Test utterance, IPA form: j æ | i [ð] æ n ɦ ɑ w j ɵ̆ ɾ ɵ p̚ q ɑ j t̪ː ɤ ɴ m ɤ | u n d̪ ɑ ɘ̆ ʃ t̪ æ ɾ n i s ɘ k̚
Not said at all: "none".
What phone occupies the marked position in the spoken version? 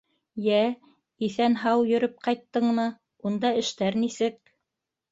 θ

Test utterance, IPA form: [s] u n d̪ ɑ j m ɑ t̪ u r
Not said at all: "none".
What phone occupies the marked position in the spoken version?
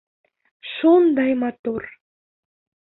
ʃ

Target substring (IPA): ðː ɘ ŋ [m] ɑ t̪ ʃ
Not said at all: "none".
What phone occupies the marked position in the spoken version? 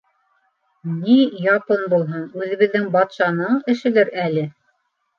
b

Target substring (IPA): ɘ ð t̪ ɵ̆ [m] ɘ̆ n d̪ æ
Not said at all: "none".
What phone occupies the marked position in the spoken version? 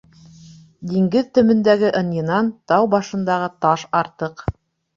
m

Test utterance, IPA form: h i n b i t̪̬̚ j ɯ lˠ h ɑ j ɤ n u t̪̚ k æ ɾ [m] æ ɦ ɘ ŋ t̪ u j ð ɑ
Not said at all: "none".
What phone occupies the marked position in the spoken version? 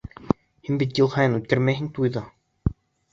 m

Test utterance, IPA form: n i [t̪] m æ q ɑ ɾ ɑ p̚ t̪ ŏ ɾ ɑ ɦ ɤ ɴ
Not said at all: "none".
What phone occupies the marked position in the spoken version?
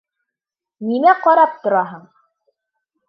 none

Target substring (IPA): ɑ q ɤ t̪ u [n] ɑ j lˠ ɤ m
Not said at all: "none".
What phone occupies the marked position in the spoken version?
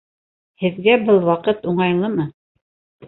ɴ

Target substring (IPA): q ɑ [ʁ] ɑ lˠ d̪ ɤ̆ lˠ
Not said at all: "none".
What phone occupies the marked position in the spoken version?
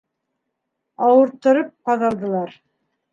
ð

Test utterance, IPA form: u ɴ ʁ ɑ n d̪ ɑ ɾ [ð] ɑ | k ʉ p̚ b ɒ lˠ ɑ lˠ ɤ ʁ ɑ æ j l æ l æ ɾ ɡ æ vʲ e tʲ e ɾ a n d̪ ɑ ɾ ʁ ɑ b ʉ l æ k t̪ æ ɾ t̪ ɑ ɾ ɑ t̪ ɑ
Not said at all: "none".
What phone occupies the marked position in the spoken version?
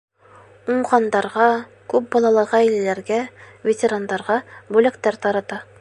ʁ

